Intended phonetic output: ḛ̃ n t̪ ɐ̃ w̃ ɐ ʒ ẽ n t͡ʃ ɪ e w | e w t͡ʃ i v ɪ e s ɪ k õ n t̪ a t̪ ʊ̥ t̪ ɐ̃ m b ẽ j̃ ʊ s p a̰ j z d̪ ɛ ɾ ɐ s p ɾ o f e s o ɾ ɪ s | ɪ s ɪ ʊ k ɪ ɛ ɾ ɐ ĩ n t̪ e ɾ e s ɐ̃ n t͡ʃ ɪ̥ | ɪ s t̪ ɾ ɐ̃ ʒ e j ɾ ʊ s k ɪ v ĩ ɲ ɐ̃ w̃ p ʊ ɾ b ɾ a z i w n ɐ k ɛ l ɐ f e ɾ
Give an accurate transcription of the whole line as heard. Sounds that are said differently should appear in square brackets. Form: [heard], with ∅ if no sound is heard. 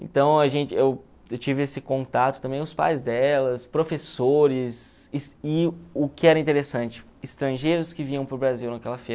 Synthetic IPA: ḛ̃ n t̪ ɐ̃ w̃ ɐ ʒ ẽ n t͡ʃ ɪ e w | e w t͡ʃ i v ɪ e s ɪ k õ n t̪ a t̪ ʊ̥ t̪ ɐ̃ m b ẽ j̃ ʊ s p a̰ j z d̪ ɛ [l] ɐ s p ɾ o f e s o ɾ ɪ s | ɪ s ɪ ʊ k ɪ ɛ ɾ ɐ ĩ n t̪ e ɾ e s ɐ̃ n t͡ʃ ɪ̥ | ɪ s t̪ ɾ ɐ̃ ʒ e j ɾ ʊ s k ɪ v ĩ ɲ ɐ̃ w̃ p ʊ ɾ b ɾ a z i w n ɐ k ɛ l ɐ f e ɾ